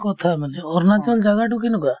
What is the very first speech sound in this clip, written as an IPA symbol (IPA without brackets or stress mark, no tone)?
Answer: k